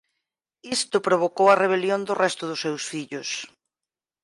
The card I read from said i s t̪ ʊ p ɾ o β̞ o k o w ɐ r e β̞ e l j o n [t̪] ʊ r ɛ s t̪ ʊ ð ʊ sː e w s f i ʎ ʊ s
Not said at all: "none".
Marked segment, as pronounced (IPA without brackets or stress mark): d̪